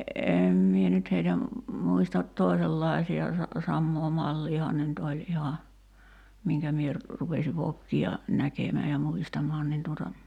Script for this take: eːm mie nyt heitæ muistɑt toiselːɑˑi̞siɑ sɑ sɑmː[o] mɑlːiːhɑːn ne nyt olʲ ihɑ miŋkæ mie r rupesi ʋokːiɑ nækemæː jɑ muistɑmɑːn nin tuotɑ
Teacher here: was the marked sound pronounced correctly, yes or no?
no